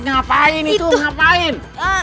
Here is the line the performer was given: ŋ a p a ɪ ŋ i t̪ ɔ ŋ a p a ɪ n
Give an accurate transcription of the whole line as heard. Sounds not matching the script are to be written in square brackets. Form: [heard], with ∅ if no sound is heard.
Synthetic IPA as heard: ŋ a p a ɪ [n] i t̪ [u] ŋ a p a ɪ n